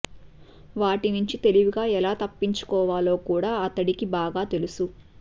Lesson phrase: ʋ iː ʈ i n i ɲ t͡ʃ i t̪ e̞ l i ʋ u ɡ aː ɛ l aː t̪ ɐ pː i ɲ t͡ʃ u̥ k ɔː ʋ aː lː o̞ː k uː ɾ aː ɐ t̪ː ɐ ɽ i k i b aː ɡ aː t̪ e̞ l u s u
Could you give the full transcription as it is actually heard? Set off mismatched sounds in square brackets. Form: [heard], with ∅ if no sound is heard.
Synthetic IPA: ʋ [aː] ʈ i n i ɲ t͡ʃ i t̪ e̞ l i ʋ u ɡ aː ɛ l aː t̪ ɐ pː i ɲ t͡ʃ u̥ k ɔː ʋ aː [l] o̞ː k uː [ɽ] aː ɐ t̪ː ɐ ɽ i k i b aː ɡ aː t̪ e̞ l u s u